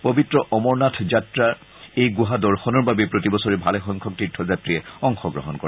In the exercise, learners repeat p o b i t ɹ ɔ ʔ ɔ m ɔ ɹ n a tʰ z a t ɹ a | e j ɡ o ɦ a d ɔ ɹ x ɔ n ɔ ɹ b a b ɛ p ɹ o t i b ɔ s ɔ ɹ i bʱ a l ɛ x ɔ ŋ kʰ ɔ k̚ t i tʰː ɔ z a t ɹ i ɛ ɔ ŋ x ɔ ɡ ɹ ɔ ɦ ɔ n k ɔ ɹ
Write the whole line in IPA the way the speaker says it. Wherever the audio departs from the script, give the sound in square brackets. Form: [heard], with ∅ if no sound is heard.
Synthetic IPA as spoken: p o b i t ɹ ɔ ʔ ɔ m ɔ ɹ n a tʰ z a t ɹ a | e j ɡ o ɦ a d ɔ ɹ x ɔ n ɔ ɹ b a b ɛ p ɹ o t i b ɔ s ɔ ɹ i bʱ a l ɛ x ɔ ŋ kʰ ɔ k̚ t i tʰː ɔ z a t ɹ i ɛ ɔ ŋ x ɔ ɡ ɹ ɔ ɦ ɔ n k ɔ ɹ